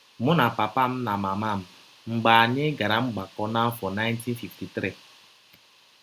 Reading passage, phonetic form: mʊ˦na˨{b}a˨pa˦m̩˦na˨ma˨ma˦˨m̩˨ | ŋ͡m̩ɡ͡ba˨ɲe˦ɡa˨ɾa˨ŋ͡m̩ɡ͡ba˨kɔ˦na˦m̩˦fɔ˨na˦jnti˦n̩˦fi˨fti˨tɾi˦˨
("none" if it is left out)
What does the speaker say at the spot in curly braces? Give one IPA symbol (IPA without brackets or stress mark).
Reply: p